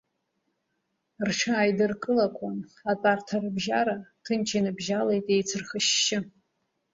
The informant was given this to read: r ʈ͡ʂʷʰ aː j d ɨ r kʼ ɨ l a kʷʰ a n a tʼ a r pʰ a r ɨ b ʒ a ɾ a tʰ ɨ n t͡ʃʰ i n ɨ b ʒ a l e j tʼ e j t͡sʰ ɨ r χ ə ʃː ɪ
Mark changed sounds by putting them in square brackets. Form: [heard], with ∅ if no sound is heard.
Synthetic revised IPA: r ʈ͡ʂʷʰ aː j d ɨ r kʼ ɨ l a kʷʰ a n a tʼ a r [tʰ] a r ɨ b ʒ a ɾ a tʰ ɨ n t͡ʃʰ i n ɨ b ʒ a l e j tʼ e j t͡sʰ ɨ r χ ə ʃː ɪ